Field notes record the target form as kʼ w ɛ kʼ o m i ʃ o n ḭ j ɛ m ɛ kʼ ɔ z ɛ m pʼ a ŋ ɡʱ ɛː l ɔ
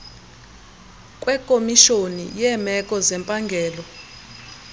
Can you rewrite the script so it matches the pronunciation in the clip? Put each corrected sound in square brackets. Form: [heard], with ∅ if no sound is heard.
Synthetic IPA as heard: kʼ w ɛ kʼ o m i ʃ o n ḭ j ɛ m ɛ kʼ ɔ z ɛ m pʼ a ŋ ɡʱ ɛː l ɔ